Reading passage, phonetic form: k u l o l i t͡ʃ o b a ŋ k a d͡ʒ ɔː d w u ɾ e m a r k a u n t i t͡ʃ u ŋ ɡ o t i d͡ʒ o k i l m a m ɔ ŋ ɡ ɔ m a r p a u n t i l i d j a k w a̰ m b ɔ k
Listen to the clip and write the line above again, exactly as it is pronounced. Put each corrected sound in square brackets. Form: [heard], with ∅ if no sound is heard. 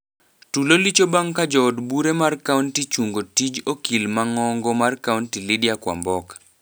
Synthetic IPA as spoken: [t] u l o l i t͡ʃ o b a ŋ k a d͡ʒ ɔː d [b] u ɾ e m a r k a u n t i t͡ʃ u ŋ ɡ o t i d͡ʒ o k i l m a [ŋ] ɔ ŋ ɡ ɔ m a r [k] a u n t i l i d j a k w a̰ m b ɔ k